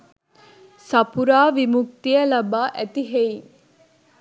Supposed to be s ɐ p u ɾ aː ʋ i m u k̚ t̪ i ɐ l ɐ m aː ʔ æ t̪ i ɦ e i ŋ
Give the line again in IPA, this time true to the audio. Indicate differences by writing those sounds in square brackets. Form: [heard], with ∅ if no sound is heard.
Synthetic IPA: s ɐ p u ɾ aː ʋ i m u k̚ t̪ i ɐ l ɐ [b] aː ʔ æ t̪ i ɦ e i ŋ